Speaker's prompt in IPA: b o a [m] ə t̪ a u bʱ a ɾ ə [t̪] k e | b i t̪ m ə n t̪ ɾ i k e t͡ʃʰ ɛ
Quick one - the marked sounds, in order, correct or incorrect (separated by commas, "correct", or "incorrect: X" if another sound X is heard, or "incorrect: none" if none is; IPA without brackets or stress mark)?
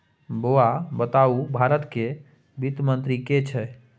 incorrect: b, correct